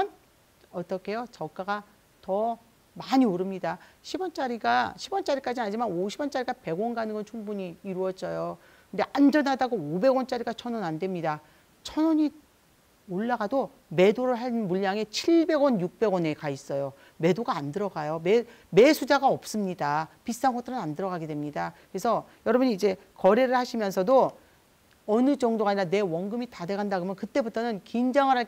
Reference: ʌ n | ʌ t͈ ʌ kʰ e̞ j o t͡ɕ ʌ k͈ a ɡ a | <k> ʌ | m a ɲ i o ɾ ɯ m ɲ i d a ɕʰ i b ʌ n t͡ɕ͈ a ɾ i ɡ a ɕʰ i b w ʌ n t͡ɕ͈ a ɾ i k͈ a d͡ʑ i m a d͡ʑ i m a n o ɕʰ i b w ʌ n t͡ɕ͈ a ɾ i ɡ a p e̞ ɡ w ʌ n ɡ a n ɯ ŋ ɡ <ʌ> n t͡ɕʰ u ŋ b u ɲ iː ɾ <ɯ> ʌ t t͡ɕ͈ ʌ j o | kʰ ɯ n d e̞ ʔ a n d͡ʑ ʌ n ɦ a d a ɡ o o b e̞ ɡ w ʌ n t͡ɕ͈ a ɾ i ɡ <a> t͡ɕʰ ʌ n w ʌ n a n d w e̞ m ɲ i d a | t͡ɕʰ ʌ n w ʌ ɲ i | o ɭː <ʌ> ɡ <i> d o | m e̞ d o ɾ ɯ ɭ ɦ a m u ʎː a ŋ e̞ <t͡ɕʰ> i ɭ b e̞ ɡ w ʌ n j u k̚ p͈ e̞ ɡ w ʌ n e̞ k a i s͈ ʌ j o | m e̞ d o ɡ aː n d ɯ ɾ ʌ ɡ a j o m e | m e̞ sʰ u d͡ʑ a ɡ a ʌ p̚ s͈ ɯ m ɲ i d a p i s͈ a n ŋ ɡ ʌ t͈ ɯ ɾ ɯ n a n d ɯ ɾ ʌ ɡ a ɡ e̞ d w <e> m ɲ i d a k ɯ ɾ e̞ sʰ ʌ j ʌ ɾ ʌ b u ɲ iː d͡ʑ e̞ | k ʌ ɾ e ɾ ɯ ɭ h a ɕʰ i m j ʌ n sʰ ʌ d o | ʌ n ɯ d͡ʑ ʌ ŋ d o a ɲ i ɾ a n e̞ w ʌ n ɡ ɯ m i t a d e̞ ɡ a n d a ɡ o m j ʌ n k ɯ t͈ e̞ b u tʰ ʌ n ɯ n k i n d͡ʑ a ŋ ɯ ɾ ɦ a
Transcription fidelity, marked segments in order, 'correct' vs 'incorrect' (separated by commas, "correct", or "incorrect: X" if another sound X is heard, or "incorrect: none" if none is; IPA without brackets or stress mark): incorrect: t, correct, incorrect: u, correct, incorrect: a, incorrect: a, correct, correct